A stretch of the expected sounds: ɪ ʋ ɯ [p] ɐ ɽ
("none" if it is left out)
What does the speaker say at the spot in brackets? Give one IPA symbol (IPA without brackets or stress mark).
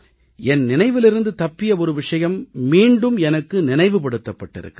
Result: p